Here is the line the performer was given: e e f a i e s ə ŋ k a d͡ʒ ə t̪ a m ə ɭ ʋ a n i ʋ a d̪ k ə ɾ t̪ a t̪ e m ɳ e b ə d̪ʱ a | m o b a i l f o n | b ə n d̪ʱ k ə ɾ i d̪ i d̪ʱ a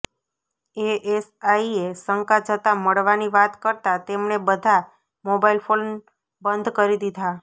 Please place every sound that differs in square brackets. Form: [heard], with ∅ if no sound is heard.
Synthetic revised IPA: e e [s] a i e s ə ŋ k a d͡ʒ ə t̪ a m ə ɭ ʋ a n i ʋ a [t̪] k ə ɾ t̪ a t̪ e m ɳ e b ə d̪ʱ a | m o b a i l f o n | b ə n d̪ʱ k ə ɾ i d̪ i d̪ʱ a

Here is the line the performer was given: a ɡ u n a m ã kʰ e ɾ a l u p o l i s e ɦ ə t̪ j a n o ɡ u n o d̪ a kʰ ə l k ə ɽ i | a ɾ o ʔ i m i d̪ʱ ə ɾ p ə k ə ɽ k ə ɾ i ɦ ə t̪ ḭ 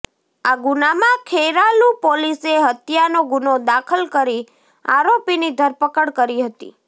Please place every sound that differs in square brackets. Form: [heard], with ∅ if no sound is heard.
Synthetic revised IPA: a ɡ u n a m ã kʰ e ɾ a l u p o l i s e ɦ ə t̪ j a n o ɡ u n o d̪ a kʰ ə l k ə [ɾ] i | a ɾ o [p] i [n] i d̪ʱ ə ɾ p ə k ə ɽ k ə ɾ i ɦ ə t̪ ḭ

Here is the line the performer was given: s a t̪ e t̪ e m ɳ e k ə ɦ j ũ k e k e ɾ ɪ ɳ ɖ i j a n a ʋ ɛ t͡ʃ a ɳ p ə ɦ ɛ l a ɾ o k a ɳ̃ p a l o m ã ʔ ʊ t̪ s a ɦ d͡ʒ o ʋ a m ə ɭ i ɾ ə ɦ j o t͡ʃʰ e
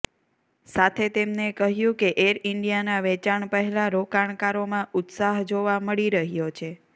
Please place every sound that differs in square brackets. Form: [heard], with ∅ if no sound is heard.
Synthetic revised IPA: s a [t̪ʰ] e t̪ e m [n] e k ə ɦ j ũ k e [ʔ] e ɾ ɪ ɳ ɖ i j a n a ʋ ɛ t͡ʃ a ɳ p ə ɦ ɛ l a ɾ o k a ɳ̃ [k] a [ɾ] o m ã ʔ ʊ t̪ s a ɦ d͡ʒ o ʋ a m ə ɭ i ɾ ə ɦ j o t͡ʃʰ e

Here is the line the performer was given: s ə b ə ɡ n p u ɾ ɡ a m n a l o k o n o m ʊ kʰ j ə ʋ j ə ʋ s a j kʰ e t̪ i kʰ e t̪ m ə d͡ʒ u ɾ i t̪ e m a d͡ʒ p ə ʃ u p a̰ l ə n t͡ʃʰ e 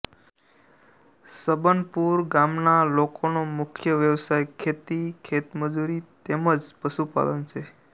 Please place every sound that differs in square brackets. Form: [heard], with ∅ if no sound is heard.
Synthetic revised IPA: s ə b ə [∅] n p u ɾ ɡ a m n a l o k o n o m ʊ kʰ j ə ʋ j ə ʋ s a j kʰ e t̪ i kʰ e t̪ m ə d͡ʒ u ɾ i t̪ e m [ə] d͡ʒ p ə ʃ u p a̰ l ə n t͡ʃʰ e

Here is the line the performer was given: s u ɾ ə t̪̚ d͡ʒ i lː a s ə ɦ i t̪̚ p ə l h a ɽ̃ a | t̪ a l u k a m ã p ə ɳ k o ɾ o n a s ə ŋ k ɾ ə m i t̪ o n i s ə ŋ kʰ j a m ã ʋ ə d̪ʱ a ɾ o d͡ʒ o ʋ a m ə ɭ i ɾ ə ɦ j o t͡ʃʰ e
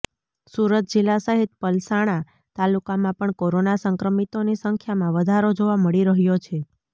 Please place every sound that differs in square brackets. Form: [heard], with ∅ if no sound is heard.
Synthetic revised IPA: s u ɾ ə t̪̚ d͡ʒ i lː a s ə ɦ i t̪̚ p ə l [s] a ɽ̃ a | t̪ a l u k a m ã p ə ɳ k o ɾ o n a s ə ŋ k ɾ ə m i t̪ o n i s ə ŋ kʰ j a m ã ʋ ə d̪ʱ a ɾ o d͡ʒ o ʋ a m ə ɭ i ɾ ə ɦ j o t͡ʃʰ e

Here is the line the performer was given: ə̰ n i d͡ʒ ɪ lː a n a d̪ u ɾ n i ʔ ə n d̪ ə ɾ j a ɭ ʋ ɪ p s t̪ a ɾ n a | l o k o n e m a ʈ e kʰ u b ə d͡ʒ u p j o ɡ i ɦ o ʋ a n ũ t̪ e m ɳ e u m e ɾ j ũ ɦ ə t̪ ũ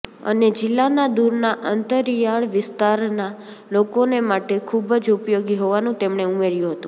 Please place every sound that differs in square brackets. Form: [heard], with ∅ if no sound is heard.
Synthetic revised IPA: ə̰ n [e] d͡ʒ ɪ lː a n a d̪ u ɾ n [a] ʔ ə n [t̪] ə ɾ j a ɭ ʋ ɪ [∅] s t̪ a ɾ n a | l o k o n e m a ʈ e kʰ u b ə d͡ʒ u p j o ɡ i ɦ o ʋ a n ũ t̪ e m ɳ e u m e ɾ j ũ ɦ ə t̪ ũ

